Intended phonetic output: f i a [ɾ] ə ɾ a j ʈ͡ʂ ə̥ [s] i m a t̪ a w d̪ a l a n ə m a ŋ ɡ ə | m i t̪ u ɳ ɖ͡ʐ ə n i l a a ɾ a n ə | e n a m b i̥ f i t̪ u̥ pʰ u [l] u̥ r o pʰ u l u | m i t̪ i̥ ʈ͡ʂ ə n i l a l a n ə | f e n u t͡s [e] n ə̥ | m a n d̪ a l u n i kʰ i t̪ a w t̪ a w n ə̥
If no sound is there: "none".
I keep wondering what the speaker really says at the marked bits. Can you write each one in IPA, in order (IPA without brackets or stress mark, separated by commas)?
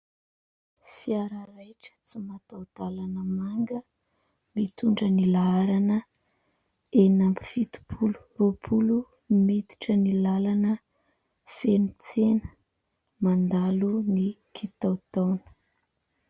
ɾ, t͡s, l, e